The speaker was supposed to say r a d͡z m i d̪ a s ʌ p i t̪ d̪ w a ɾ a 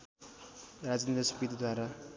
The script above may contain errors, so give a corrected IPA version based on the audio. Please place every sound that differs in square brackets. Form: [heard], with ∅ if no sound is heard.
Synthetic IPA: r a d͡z [n] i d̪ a s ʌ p i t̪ d̪ w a ɾ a